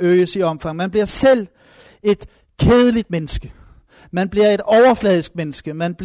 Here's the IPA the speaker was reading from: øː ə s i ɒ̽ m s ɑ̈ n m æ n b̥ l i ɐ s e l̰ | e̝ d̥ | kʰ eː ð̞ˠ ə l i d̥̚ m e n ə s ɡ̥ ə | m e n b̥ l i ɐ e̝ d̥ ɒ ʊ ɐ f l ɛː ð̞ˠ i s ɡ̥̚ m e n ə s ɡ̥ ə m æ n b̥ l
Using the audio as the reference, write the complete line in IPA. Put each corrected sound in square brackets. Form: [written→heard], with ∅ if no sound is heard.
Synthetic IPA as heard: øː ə s i ɒ̽ m [s→f] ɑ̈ [n→ŋ] m æ n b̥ l i ɐ s e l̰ | e̝ d̥ | kʰ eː ð̞ˠ ə l i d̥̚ m e n ə s ɡ̥ ə | m [e→æ] n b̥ l i ɐ e̝ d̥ ɒ ʊ ɐ f l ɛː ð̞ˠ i s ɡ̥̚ m e n ə s ɡ̥ ə m æ n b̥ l